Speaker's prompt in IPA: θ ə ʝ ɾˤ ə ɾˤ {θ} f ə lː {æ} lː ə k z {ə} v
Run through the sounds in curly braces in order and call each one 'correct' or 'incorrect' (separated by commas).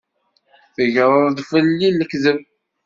incorrect, incorrect, correct